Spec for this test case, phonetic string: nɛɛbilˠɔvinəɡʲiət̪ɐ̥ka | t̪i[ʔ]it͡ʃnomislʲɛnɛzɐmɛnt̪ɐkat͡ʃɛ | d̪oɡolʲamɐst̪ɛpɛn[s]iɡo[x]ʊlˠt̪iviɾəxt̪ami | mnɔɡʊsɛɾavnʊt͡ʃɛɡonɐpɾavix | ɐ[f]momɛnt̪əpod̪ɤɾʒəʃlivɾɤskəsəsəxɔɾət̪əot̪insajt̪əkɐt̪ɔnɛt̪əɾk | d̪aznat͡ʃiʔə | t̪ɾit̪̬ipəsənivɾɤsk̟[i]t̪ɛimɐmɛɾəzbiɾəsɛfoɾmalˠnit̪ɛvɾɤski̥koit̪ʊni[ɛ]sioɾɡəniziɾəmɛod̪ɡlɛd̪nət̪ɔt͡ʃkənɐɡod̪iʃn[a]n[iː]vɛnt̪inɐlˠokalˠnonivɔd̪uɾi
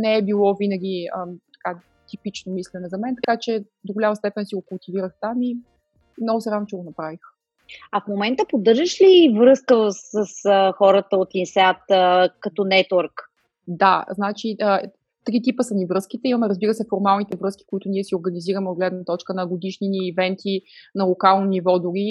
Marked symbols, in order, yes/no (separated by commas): no, yes, no, yes, yes, yes, no, yes